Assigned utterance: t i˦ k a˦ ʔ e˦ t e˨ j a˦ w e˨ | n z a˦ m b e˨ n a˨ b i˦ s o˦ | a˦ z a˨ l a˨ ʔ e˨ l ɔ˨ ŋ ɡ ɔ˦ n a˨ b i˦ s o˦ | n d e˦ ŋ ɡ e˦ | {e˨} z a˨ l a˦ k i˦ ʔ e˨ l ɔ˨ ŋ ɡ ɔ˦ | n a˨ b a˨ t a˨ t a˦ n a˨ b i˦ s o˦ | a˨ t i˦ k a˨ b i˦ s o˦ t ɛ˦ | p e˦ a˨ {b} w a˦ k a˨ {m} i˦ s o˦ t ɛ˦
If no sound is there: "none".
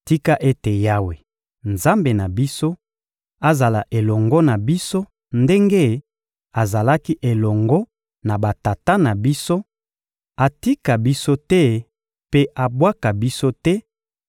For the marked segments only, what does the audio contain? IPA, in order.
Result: a˨, b, b

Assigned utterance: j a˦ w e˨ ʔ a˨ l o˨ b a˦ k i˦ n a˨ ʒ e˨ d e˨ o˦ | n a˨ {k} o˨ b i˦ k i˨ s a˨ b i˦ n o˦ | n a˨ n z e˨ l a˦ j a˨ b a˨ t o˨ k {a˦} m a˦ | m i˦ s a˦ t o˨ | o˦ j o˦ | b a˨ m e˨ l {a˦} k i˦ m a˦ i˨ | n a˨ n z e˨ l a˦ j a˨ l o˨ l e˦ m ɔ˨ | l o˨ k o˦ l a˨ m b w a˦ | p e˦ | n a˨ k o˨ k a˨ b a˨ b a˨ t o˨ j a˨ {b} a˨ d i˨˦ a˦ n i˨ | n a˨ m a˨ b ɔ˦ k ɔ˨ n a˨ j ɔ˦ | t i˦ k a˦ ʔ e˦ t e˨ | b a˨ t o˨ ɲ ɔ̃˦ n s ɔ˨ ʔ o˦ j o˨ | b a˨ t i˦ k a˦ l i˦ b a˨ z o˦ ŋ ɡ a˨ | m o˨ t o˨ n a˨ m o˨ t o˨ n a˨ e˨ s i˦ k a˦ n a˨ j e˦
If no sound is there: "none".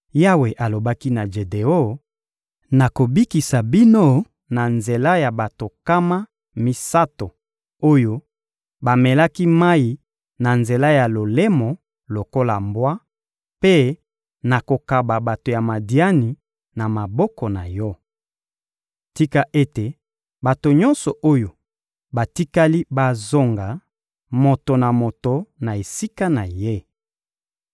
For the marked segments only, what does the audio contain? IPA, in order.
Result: k, a˦, a˦, m

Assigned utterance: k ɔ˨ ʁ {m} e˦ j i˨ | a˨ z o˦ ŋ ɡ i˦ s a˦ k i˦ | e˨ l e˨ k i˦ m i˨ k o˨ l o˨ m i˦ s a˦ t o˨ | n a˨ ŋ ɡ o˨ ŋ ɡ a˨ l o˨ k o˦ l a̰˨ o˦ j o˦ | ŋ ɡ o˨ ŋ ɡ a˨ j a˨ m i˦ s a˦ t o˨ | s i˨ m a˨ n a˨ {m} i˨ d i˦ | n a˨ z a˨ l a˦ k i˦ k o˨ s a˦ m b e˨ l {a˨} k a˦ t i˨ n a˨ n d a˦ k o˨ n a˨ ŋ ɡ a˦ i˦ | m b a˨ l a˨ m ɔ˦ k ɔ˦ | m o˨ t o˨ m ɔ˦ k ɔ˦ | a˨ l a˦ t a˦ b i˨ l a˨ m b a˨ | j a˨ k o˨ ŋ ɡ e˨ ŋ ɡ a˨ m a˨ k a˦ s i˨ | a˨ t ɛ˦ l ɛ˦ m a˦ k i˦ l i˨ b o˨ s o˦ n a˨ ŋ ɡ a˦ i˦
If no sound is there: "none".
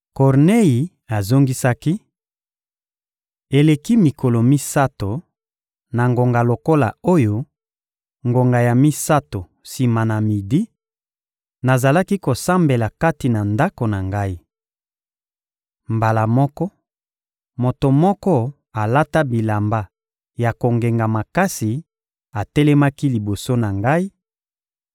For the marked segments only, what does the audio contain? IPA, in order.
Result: n, m, a˨

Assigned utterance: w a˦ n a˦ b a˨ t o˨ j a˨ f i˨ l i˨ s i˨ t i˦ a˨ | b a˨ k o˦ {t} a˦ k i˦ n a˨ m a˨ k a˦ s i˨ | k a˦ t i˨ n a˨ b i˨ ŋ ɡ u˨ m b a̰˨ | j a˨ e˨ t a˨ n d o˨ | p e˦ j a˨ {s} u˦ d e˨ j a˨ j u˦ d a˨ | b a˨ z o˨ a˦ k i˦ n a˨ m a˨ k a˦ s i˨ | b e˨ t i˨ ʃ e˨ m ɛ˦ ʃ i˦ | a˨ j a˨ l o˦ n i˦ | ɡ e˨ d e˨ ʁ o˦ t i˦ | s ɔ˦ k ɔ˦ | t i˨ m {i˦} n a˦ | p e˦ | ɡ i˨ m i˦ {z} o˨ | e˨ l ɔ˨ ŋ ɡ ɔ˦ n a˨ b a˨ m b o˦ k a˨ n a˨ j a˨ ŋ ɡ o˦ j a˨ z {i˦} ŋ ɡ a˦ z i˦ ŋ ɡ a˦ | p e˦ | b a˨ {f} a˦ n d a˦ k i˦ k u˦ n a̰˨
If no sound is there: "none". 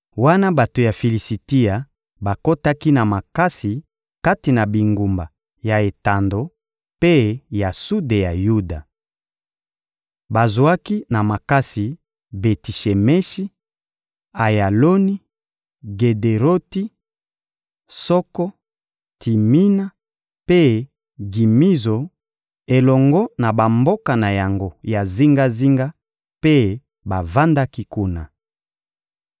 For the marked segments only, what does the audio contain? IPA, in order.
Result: t, s, i˦, z, i˦, v

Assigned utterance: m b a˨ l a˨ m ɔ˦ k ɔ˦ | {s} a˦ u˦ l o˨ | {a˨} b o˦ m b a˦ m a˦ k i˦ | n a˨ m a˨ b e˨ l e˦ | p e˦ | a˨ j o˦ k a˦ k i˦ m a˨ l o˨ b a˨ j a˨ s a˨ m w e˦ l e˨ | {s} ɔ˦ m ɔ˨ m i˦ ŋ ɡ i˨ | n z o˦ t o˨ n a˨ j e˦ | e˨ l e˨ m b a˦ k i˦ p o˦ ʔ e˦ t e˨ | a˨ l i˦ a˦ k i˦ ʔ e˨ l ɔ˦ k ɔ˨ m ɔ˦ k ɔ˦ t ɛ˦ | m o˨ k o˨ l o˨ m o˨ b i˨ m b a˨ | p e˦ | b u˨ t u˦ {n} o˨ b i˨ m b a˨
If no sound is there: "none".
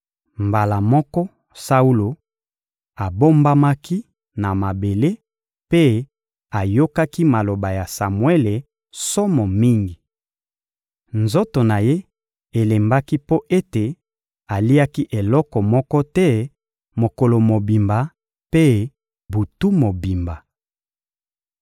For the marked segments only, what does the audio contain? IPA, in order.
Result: s, a˨, s, m

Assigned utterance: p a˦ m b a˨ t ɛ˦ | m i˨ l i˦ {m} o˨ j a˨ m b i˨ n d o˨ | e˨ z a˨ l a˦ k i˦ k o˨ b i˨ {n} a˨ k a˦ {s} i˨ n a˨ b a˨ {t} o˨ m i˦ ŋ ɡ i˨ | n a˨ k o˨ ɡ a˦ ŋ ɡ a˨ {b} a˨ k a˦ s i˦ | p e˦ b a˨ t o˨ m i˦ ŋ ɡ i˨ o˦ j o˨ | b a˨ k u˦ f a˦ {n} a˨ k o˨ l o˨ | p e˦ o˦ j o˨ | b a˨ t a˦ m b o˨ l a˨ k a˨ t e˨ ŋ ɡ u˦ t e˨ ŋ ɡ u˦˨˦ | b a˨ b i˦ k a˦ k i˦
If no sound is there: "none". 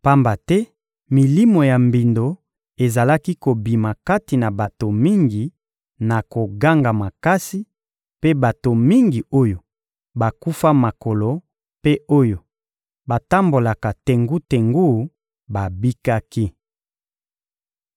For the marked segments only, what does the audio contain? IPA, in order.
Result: m, m, t, t, m, m

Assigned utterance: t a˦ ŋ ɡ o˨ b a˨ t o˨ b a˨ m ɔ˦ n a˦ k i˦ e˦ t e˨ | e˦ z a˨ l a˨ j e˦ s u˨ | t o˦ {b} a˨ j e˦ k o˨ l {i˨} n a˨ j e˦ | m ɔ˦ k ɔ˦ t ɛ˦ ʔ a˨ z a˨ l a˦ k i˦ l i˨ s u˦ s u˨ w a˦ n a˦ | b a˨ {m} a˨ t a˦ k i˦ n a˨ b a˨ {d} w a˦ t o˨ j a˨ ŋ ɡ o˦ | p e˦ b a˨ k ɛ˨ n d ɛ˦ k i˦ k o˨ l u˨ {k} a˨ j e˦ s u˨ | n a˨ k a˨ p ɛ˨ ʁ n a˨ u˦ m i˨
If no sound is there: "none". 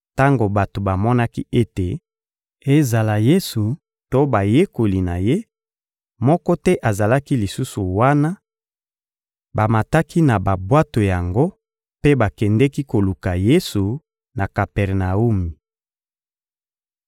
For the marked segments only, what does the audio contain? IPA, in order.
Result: b, i˨, m, b, k

